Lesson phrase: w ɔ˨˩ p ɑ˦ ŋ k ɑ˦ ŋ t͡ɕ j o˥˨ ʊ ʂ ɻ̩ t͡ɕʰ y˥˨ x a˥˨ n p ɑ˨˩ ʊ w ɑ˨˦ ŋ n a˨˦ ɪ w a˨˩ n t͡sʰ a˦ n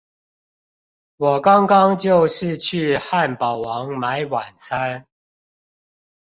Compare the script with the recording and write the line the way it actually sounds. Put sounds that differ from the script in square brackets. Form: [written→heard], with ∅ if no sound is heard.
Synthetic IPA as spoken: w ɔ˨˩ [p→k] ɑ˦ ŋ k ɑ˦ ŋ t͡ɕ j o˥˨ ʊ ʂ ɻ̩ t͡ɕʰ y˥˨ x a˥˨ n p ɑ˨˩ ʊ w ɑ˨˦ ŋ [n→m] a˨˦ ɪ w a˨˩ n t͡sʰ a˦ n